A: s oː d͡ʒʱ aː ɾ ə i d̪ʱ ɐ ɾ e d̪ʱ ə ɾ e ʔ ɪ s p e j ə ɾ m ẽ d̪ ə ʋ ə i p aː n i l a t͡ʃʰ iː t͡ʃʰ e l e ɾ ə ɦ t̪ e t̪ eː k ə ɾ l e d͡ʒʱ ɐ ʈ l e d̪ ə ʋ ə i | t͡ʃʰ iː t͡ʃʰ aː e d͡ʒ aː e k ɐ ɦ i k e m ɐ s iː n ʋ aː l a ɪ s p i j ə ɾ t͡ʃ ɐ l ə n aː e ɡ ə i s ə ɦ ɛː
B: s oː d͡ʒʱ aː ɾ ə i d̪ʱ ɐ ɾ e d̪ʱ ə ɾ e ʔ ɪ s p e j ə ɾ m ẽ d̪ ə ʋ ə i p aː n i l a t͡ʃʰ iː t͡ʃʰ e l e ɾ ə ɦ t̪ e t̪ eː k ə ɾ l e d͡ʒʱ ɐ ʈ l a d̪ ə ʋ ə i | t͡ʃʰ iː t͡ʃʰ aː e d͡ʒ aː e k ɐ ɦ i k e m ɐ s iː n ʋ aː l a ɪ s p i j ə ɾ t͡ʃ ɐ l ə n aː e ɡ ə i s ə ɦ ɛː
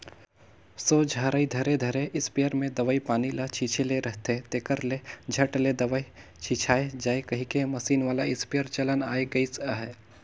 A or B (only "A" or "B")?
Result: A